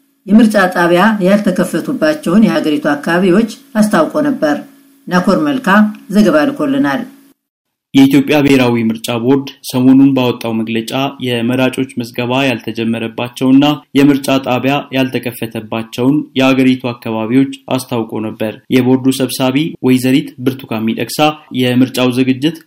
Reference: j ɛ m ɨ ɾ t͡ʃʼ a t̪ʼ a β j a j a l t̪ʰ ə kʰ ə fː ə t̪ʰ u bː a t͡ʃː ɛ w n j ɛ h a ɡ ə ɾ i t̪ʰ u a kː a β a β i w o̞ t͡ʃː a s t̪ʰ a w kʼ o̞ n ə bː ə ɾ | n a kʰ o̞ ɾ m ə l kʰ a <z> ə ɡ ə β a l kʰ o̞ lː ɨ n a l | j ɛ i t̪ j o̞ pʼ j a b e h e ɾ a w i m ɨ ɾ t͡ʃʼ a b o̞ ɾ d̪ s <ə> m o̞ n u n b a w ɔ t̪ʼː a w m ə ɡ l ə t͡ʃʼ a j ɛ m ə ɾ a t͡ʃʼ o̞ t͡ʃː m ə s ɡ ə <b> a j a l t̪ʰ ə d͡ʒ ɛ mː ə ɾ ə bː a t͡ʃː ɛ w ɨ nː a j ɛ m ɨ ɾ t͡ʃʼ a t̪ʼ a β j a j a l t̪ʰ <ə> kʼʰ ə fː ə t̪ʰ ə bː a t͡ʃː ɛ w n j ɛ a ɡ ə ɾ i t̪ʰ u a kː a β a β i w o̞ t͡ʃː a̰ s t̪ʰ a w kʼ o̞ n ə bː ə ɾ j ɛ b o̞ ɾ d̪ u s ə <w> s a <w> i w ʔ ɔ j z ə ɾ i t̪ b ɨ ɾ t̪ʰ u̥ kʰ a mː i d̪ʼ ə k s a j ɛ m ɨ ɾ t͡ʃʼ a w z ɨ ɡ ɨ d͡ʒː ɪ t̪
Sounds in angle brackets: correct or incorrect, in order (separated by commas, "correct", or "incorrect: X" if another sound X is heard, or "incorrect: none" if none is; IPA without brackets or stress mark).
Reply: correct, correct, incorrect: β, correct, incorrect: β, incorrect: β